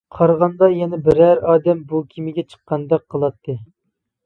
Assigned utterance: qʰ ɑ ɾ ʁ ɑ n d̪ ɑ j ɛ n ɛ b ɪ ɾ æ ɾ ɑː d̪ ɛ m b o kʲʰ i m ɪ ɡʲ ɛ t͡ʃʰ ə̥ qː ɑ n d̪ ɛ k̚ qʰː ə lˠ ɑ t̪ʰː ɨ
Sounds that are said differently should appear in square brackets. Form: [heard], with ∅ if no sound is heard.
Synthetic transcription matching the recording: qʰ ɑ ɾ ʁ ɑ n d̪ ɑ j ɛ n ɛ b ɪ ɾ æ ɾ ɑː d̪ ɛ m b [u] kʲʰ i m ɪ ɡʲ ɛ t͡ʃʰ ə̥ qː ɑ n d̪ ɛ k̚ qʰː ə lˠ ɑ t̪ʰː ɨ